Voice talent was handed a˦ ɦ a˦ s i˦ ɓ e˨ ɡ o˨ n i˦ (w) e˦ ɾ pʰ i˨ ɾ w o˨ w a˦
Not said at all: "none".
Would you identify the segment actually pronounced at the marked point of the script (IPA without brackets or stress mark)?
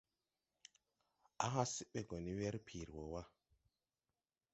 w